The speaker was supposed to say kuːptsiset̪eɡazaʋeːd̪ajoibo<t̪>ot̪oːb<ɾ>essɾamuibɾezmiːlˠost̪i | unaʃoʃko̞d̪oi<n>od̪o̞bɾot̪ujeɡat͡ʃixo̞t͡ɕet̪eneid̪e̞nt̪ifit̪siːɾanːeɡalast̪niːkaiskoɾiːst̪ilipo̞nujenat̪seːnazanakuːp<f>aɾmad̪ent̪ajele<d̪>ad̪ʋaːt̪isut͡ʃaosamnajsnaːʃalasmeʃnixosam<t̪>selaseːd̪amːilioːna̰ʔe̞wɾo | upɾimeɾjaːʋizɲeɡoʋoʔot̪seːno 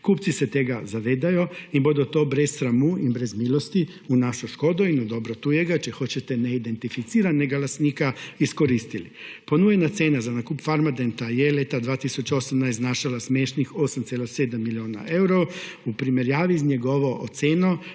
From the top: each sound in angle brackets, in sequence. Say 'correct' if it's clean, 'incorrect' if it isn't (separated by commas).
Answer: incorrect, correct, correct, correct, incorrect, correct